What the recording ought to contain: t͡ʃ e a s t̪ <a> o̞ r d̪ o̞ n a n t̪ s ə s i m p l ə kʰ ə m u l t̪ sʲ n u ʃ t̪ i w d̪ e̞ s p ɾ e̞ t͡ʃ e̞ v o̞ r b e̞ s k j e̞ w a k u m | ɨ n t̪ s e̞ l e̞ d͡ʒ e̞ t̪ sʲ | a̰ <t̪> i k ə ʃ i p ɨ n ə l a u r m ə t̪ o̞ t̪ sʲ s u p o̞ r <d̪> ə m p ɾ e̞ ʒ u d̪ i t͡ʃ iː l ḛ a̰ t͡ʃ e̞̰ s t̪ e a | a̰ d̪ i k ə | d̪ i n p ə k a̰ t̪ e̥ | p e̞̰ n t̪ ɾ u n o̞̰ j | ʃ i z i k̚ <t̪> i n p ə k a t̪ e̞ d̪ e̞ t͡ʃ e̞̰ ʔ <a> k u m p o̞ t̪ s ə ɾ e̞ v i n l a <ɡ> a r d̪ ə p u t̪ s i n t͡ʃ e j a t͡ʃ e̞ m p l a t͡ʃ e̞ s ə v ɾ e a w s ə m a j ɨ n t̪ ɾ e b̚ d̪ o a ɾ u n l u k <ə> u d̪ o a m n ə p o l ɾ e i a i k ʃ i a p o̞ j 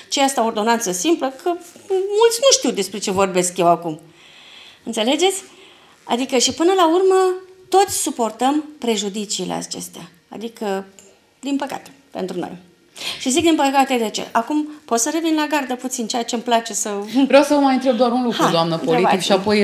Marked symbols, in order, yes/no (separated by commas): yes, no, no, no, yes, yes, no